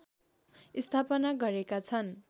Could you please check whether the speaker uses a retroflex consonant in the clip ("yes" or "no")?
no